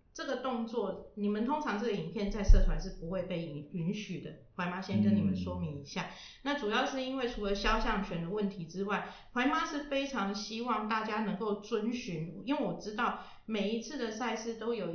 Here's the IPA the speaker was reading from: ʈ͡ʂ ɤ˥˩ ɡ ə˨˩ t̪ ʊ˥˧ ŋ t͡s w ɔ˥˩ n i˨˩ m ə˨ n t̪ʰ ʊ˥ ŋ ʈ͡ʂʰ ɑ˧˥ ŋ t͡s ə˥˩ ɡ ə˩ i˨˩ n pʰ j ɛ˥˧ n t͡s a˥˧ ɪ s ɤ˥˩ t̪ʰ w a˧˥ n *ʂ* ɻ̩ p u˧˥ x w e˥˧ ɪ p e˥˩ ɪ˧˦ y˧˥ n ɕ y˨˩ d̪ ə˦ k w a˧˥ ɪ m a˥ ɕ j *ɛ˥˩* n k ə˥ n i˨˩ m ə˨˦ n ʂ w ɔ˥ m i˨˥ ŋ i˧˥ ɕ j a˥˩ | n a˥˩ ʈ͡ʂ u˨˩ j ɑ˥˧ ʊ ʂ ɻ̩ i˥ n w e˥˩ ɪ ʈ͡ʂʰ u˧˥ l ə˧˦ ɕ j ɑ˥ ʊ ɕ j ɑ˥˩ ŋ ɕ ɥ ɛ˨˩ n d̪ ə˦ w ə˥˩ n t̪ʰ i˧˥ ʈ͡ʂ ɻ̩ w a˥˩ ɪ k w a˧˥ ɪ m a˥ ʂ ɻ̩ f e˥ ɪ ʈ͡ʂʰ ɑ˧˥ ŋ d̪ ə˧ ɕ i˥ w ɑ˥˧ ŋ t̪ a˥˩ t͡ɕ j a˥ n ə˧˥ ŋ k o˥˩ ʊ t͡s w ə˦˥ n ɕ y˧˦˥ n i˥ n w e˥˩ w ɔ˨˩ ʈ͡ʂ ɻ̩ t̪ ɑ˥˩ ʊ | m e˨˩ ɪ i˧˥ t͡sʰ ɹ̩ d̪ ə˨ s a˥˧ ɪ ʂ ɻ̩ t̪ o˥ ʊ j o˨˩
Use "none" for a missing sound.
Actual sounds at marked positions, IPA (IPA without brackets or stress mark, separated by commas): ʂ, ɛ˥